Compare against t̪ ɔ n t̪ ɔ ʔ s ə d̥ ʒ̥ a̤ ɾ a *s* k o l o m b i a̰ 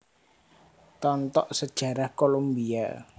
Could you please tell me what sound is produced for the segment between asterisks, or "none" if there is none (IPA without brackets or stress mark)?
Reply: h